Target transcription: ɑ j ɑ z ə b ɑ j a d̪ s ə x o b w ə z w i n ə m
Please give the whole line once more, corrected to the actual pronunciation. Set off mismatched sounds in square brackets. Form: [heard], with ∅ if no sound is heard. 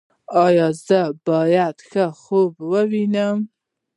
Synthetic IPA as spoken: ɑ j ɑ z ə b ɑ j a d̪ [x] ə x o b w ə [∅] w i n ə m